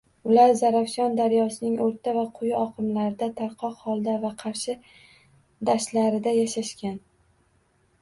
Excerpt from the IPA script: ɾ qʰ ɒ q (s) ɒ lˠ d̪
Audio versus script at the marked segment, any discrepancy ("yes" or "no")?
yes